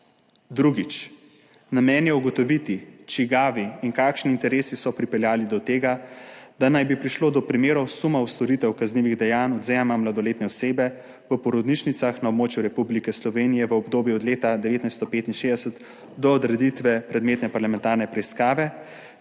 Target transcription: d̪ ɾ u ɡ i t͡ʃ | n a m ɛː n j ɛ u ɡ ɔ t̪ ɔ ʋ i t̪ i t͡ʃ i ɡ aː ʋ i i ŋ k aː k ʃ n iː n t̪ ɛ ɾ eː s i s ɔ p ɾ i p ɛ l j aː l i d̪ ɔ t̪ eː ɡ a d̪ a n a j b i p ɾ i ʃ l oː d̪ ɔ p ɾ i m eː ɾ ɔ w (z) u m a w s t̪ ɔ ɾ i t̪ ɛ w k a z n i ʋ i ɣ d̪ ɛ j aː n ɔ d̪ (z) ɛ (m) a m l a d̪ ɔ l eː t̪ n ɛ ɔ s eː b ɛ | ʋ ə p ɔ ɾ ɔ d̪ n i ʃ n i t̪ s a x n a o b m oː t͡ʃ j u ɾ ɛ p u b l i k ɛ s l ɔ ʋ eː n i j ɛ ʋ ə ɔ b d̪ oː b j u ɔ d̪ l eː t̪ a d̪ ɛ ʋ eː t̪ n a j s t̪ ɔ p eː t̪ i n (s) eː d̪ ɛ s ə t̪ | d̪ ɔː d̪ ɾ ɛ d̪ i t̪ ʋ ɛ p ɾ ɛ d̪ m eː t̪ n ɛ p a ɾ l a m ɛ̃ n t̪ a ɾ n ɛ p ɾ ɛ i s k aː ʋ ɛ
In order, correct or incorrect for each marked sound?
incorrect: s, correct, correct, incorrect: ʃ

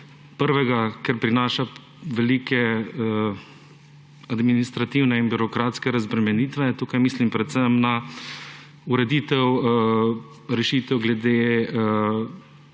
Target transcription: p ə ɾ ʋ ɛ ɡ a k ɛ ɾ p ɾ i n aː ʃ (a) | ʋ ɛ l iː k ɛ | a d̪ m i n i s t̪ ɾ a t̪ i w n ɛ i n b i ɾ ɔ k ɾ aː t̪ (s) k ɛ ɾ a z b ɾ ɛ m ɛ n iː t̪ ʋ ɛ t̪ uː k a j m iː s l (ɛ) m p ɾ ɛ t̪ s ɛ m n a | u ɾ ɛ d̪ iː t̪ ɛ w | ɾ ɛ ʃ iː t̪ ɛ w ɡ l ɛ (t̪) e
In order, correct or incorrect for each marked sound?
correct, correct, incorrect: i, incorrect: d̪

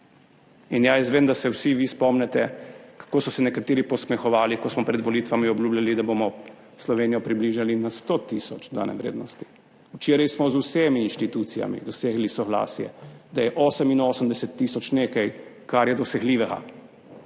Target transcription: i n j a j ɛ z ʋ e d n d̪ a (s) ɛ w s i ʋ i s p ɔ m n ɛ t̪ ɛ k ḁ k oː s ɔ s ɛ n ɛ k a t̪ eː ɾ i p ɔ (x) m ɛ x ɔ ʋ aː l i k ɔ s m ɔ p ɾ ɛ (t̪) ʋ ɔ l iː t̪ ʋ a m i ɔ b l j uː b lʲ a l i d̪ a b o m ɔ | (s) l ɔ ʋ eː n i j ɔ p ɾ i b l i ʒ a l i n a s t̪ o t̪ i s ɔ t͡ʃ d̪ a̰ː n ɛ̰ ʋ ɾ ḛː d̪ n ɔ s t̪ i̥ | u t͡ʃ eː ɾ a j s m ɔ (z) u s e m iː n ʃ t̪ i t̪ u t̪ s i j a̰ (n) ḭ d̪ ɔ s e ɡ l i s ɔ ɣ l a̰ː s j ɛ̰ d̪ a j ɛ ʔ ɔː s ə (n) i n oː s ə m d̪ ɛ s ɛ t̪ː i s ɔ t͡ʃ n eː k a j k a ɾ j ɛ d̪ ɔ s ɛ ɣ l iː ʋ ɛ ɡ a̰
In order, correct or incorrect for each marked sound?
correct, incorrect: s, incorrect: d̪, correct, correct, incorrect: m, incorrect: m

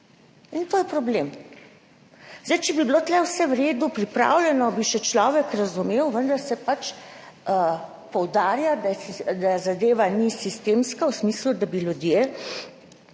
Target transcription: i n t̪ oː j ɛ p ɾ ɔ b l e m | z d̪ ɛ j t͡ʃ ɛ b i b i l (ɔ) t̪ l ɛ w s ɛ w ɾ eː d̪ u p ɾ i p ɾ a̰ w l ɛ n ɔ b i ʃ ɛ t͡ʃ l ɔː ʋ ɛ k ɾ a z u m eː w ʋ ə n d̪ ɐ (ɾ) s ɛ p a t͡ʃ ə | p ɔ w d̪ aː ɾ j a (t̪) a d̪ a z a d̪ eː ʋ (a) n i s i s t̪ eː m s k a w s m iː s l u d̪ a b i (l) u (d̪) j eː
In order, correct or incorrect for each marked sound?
incorrect: o, correct, incorrect: d̪, correct, correct, correct

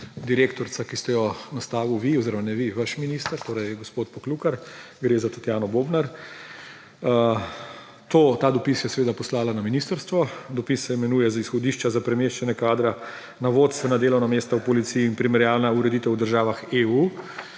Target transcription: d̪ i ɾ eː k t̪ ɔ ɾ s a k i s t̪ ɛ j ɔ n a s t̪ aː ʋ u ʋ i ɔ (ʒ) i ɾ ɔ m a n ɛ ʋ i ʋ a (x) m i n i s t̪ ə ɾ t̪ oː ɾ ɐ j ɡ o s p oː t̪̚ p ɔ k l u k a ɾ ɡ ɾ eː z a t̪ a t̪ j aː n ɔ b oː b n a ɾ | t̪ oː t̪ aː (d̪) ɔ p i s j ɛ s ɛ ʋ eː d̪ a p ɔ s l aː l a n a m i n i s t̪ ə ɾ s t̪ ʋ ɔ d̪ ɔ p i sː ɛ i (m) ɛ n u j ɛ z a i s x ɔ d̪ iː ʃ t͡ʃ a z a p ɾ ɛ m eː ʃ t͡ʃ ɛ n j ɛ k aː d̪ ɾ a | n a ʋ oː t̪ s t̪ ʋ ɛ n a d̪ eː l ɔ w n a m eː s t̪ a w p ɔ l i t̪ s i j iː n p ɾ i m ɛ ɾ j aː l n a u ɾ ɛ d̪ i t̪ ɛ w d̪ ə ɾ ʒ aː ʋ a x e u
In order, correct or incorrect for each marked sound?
incorrect: z, incorrect: ʃ, correct, correct

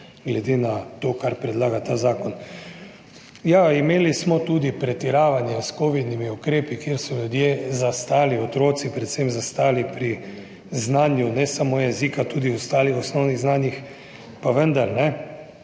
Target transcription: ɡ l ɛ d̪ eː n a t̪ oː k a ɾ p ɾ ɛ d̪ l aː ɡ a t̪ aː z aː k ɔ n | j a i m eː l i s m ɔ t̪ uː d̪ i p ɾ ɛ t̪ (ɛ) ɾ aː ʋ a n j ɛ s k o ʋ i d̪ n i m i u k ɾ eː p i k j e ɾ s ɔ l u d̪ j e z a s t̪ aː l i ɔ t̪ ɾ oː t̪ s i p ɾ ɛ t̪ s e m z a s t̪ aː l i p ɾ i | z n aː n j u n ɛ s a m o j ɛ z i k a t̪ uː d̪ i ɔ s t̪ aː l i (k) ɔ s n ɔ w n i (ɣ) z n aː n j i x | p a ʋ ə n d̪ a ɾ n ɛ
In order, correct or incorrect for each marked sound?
incorrect: i, incorrect: x, correct

